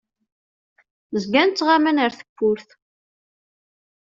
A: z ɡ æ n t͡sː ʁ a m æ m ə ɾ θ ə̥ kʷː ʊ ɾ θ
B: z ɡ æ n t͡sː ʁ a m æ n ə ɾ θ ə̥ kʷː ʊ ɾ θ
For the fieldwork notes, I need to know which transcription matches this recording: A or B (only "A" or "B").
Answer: B